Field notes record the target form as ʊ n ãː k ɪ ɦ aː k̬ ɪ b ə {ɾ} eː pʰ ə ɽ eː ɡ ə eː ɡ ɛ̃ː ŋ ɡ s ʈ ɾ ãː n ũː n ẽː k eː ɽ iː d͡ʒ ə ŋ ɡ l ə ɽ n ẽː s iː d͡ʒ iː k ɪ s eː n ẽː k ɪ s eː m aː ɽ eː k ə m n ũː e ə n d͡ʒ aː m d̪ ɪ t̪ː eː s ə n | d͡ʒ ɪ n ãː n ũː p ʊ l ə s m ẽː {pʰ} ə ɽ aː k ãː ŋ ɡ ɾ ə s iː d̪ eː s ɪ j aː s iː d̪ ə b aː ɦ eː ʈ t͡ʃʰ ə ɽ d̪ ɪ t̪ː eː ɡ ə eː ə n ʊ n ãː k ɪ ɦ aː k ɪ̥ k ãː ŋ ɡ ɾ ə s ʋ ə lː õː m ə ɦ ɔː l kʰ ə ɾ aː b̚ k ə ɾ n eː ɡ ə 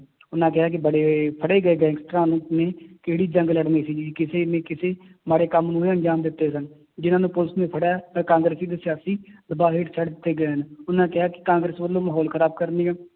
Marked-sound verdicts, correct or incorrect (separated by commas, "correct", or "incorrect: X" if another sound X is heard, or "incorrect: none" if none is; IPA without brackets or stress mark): incorrect: ɽ, correct